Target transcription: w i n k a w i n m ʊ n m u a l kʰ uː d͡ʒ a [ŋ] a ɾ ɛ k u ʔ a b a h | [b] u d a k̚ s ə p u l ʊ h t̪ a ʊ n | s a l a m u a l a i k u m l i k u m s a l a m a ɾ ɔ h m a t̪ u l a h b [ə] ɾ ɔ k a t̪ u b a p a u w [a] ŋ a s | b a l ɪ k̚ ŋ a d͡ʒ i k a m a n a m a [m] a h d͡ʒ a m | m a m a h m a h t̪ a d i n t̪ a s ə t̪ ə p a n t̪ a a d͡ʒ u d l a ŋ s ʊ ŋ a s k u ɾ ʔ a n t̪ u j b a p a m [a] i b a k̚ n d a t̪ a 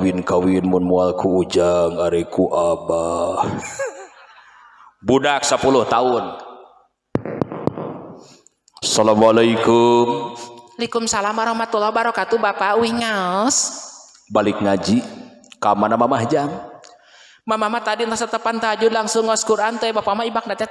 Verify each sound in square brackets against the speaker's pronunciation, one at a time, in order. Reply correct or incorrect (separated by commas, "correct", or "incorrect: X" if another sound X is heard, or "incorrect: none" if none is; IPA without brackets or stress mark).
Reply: correct, correct, incorrect: a, incorrect: i, correct, correct